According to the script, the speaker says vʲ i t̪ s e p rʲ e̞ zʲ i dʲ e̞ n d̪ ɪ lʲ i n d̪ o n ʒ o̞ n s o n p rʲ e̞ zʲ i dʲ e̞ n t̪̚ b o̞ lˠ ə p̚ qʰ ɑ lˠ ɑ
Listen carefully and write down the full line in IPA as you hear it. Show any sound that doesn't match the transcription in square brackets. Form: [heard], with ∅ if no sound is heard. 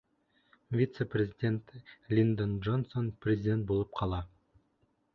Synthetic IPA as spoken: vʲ i t̪ s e p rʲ e̞ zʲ i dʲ e̞ n [t̪] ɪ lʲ i n d̪ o n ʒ o̞ n s o n p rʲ e̞ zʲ i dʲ e̞ n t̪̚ b o̞ lˠ ə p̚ qʰ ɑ lˠ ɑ